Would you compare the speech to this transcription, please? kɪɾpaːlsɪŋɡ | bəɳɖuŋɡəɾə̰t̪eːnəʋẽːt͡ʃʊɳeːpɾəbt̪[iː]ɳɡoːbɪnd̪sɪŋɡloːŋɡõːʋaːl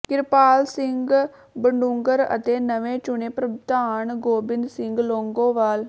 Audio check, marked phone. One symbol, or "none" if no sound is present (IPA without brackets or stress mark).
aː